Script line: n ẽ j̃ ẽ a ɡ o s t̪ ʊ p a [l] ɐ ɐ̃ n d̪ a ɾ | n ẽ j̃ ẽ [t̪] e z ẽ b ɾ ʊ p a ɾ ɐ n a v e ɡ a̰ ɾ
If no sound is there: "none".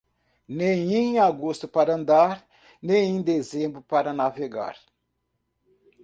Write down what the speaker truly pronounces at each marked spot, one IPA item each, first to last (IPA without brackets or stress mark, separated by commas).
ɾ, d̪